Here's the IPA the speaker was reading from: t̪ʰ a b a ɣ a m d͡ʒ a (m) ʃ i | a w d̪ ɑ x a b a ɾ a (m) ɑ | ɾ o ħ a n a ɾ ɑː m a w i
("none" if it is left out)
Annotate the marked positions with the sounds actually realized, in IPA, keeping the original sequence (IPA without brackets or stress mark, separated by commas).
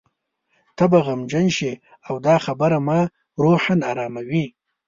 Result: n, m